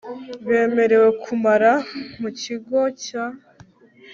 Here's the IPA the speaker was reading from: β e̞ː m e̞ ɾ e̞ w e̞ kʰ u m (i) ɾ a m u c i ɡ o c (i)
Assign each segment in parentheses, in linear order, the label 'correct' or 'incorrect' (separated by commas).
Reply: incorrect, incorrect